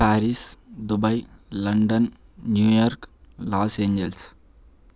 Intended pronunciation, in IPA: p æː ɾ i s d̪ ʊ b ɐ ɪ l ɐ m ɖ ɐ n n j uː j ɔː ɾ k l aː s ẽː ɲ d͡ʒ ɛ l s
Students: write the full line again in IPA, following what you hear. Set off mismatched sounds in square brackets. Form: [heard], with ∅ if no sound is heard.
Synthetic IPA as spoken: p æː ɾ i s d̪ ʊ b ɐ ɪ l ɐ [ɳ] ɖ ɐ n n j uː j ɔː ɾ k l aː s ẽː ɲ d͡ʒ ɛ l s